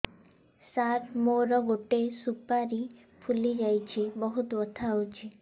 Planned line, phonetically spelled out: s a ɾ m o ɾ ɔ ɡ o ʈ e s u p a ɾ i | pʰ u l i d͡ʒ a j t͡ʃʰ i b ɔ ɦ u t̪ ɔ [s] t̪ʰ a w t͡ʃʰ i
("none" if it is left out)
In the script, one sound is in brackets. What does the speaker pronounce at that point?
none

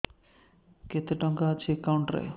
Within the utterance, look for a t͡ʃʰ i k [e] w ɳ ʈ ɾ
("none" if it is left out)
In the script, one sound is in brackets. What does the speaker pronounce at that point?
a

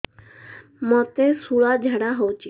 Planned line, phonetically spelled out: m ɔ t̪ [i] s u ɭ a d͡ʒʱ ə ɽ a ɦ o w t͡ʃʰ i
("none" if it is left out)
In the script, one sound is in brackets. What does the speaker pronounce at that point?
e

